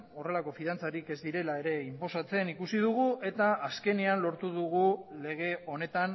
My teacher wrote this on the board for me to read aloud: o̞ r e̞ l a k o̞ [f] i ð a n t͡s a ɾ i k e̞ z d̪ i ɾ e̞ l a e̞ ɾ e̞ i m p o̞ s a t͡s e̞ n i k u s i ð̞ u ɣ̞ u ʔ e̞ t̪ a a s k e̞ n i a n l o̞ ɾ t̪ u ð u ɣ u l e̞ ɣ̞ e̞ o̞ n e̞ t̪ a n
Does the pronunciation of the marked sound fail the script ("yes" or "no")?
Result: no